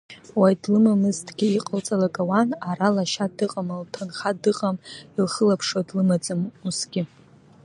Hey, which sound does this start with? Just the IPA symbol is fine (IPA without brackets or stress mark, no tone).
w